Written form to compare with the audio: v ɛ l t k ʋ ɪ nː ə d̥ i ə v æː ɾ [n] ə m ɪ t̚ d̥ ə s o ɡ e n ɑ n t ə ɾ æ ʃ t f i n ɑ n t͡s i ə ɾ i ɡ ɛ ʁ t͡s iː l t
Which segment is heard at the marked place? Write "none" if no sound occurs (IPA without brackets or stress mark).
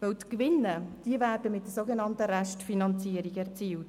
d